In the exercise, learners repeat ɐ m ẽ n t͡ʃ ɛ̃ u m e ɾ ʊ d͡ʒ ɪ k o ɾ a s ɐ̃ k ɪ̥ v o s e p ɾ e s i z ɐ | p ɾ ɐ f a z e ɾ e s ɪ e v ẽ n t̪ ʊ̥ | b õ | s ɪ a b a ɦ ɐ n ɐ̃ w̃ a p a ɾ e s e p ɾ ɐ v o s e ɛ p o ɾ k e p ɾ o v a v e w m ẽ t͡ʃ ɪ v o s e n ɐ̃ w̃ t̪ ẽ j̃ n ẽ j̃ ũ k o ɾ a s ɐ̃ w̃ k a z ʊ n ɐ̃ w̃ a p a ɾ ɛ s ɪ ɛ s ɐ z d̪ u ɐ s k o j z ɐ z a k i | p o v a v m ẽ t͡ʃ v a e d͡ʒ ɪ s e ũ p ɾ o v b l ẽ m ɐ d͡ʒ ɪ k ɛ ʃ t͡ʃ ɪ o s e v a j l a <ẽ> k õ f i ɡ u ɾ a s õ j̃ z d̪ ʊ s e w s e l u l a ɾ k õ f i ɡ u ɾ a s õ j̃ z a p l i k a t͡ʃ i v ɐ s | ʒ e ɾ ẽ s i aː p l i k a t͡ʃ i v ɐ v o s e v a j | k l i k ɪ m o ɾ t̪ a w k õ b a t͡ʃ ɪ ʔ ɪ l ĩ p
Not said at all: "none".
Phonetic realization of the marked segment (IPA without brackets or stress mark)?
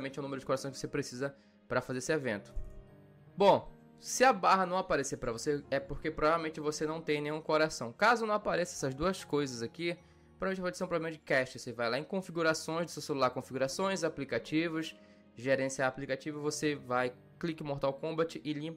ẽ